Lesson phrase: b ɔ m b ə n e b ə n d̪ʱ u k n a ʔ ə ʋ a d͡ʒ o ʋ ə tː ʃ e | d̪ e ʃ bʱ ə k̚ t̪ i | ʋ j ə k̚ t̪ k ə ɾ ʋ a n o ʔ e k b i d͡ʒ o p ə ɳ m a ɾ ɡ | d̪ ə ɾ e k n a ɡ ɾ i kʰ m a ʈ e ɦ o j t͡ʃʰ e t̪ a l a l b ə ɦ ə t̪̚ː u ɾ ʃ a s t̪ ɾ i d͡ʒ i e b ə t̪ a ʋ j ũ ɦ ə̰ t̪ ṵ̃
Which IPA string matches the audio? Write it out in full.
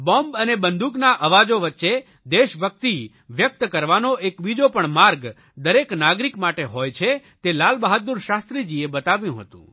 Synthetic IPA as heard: b ɔ m b ə n e b ə n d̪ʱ u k n a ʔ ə ʋ a d͡ʒ o ʋ ə tː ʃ e | d̪ e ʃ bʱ ə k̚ t̪ i | ʋ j ə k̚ t̪ k ə ɾ ʋ a n o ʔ e k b i d͡ʒ o p ə ɳ m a ɾ ɡ | d̪ ə ɾ e k n a ɡ ɾ i k m a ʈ e ɦ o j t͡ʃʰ e t̪ e l a l b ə ɦ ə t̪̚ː u ɾ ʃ a s t̪ ɾ i d͡ʒ i e b ə t̪ a ʋ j ũ ɦ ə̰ t̪ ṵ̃